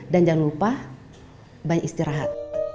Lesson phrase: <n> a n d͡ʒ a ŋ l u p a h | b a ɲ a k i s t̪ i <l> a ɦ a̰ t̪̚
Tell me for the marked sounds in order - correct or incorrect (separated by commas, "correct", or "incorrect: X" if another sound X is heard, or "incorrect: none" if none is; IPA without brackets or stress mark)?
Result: incorrect: d, incorrect: ɾ